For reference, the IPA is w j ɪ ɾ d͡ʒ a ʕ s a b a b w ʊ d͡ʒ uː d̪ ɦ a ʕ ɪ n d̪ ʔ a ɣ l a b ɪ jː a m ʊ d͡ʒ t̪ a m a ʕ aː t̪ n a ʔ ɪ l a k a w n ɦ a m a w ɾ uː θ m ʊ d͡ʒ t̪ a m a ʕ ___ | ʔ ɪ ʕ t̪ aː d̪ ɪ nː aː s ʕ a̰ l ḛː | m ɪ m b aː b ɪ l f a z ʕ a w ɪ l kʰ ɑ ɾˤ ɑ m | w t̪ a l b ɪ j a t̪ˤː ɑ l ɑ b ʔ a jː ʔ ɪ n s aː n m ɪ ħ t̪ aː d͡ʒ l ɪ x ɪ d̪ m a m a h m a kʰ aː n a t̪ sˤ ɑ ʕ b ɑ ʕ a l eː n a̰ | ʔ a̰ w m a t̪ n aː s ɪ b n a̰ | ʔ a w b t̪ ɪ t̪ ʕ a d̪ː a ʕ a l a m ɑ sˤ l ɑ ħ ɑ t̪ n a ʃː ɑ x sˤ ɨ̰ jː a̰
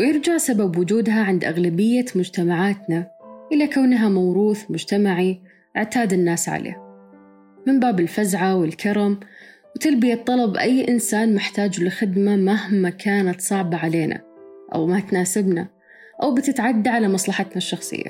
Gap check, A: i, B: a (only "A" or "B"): A